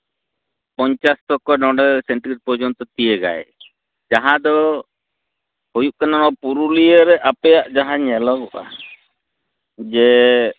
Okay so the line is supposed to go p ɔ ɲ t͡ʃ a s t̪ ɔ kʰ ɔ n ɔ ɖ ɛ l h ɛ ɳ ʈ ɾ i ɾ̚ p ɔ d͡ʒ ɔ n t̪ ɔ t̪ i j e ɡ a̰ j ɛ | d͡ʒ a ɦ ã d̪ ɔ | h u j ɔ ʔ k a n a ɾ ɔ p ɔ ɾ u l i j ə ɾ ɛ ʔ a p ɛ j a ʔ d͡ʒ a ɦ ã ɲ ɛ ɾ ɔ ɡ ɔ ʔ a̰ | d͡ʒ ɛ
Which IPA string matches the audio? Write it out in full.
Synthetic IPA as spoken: p ɔ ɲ t͡ʃ a s t̪ ɔ k ɔ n ɔ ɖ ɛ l s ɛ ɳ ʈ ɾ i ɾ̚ p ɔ d͡ʒ ɔ n t̪ ɔ t̪ i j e ɡ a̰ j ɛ | d͡ʒ a ɦ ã d̪ ɔ | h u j u ʔ k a n a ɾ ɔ p u ɾ u l i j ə ɾ ɛ ʔ a p ɛ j a ʔ d͡ʒ a ɦ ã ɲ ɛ l ɔ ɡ ɔ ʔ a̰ | d͡ʒ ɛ